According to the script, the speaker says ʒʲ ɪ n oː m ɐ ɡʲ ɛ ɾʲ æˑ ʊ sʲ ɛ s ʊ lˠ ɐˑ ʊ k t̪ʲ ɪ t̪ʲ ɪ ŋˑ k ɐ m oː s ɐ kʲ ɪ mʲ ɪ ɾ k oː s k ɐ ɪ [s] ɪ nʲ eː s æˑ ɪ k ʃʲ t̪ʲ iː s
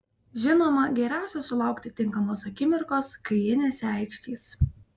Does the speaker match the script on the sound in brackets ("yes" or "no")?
no